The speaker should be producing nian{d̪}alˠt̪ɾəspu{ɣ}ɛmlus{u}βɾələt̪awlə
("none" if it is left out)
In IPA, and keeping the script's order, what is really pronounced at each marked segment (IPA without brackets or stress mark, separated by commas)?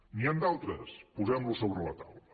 d̪, z, o